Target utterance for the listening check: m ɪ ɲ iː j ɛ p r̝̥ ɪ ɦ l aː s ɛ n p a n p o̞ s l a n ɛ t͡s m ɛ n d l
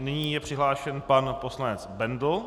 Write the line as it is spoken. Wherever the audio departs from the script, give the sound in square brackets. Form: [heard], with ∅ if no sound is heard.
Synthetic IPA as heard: [n] ɪ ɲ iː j ɛ p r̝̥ ɪ ɦ l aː [ʃ] ɛ n p a n p o̞ s l a n ɛ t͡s [b] ɛ n d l